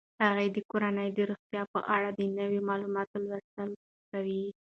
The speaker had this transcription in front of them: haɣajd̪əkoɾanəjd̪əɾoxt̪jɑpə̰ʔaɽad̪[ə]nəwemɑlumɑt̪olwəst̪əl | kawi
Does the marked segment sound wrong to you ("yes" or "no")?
no